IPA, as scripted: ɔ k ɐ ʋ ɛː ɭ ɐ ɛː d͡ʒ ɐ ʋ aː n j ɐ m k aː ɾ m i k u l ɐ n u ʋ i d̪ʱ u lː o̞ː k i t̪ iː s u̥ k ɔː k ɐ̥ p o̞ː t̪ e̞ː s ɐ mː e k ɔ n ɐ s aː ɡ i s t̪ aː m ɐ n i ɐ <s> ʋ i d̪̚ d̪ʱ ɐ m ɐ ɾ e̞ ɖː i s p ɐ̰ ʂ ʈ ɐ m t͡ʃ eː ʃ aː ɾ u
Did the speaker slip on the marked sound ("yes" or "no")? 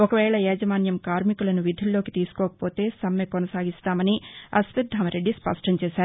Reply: no